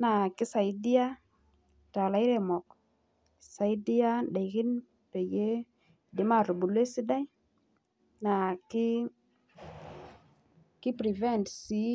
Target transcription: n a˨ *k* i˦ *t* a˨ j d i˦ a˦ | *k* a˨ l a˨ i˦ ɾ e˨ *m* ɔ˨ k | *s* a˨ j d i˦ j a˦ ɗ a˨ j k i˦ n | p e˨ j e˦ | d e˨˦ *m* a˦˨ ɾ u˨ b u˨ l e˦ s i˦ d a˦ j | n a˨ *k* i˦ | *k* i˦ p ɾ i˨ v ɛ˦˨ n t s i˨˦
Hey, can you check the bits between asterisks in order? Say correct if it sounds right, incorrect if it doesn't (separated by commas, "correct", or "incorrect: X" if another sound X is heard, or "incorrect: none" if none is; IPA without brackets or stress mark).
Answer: correct, incorrect: s, incorrect: t, correct, correct, correct, correct, correct